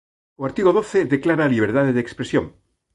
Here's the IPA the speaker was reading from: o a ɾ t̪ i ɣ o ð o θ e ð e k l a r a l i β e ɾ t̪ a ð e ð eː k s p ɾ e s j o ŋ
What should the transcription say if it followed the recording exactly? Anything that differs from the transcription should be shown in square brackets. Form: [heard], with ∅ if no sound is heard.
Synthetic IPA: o a ɾ t̪ i ɣ o ð o θ e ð e k l a [ɾ] a l i β e ɾ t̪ a ð e ð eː k s p ɾ e s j o ŋ